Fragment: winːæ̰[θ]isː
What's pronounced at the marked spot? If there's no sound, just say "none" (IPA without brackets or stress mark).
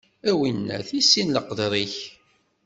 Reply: θ